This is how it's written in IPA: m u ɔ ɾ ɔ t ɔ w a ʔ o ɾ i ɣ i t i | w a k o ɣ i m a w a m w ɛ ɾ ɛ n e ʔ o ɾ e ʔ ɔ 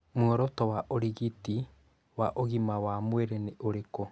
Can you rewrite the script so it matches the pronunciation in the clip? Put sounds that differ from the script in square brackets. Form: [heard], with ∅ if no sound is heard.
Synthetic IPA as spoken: m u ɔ ɾ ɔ t ɔ w a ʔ o ɾ i ɣ i t i | w a [ʔ] o ɣ i m a w a m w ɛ ɾ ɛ n e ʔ o ɾ e [k] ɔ